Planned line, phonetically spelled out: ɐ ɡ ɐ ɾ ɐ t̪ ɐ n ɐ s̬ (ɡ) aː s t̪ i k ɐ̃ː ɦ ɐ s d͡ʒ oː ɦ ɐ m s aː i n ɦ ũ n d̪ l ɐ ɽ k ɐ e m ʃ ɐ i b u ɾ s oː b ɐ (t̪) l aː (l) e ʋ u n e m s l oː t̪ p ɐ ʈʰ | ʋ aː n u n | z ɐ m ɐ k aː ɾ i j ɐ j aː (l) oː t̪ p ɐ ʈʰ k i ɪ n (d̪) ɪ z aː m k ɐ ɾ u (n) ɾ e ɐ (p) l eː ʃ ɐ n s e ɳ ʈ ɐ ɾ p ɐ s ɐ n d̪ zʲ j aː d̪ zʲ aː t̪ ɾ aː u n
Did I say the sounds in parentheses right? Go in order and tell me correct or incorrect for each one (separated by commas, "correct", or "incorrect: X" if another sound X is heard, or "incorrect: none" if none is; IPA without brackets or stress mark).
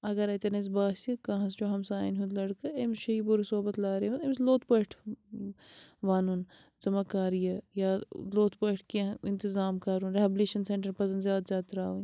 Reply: incorrect: b, correct, incorrect: ɾ, correct, incorrect: t̪, correct, incorrect: b